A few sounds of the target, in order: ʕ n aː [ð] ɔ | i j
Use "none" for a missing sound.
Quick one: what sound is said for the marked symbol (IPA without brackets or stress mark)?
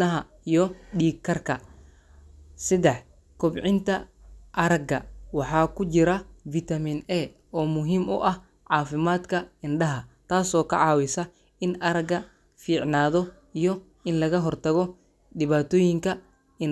ð